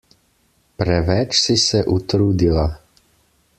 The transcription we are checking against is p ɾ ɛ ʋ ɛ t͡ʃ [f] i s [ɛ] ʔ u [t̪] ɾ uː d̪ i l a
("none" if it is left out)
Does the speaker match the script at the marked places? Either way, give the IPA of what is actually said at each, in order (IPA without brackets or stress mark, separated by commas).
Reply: s, ɛ, t̪